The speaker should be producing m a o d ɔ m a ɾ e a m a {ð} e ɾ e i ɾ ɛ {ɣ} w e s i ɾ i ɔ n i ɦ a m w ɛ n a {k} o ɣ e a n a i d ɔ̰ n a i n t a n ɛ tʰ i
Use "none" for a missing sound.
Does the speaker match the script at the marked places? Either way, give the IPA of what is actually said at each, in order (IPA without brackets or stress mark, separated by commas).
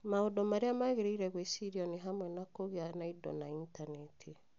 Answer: ɣ, ɣ, k